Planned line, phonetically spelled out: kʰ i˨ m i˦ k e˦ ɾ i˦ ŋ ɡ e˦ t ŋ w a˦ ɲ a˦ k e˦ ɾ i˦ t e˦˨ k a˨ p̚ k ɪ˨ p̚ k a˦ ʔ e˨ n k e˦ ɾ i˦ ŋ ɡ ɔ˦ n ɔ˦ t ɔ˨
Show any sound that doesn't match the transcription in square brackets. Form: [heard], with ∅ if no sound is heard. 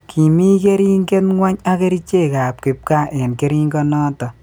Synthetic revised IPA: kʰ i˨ m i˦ k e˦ ɾ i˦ ŋ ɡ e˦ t ŋ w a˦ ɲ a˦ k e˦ ɾ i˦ [t͡ʃ] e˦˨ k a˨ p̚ k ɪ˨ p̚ k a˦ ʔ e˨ n k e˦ ɾ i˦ ŋ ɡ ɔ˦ n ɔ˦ t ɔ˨